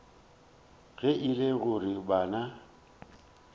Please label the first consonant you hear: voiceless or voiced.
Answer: voiced